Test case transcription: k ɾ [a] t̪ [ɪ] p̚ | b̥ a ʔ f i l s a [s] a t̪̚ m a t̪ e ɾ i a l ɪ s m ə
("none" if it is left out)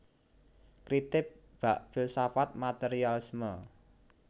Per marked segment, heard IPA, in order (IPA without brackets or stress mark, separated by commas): i, ɪ, f